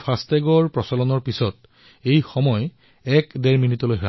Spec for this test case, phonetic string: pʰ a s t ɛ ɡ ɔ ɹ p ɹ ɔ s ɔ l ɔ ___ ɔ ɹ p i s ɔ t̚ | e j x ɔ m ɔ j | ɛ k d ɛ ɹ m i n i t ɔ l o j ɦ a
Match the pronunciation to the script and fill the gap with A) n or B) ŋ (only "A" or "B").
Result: A